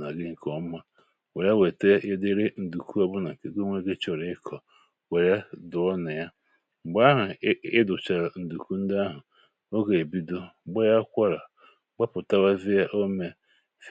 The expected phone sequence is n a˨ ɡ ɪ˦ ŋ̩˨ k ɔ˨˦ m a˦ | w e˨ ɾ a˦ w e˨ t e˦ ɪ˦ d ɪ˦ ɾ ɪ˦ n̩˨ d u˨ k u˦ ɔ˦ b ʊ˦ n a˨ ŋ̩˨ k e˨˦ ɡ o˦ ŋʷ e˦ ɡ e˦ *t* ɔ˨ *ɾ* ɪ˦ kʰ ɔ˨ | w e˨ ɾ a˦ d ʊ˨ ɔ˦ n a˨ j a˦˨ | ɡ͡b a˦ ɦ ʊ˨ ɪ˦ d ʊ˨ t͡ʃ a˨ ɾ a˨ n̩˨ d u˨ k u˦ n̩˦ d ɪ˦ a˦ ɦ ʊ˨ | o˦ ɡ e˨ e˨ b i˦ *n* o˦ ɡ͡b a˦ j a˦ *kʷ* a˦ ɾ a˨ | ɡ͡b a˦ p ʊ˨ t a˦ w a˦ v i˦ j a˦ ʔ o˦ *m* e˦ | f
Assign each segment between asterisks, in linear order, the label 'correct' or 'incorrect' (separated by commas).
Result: incorrect, correct, incorrect, correct, correct